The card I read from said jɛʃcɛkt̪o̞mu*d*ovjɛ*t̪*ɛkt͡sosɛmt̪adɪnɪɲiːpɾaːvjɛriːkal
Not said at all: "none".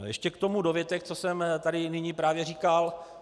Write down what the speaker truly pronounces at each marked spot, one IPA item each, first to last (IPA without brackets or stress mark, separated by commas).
d, t̪